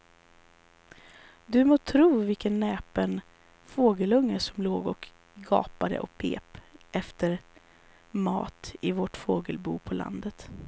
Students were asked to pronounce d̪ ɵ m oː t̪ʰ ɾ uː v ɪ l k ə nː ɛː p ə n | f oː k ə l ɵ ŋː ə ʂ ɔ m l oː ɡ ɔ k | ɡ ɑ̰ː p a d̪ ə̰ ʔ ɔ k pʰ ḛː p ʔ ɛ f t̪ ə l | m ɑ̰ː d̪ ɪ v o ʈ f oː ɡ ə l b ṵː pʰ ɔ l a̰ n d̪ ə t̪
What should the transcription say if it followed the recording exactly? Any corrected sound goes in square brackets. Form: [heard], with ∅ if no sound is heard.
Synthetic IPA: d̪ ɵ m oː t̪ʰ ɾ uː v ɪ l k ə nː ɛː p ə n | f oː [ɡ] ə l ɵ ŋː ə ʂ ɔ m l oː ɡ ɔ k | ɡ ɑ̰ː p a d̪ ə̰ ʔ ɔ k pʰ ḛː p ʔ ɛ f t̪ ə [ɾ] | m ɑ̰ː [t̪] ɪ v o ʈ f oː ɡ ə l b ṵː pʰ ɔ l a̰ n d̪ ə t̪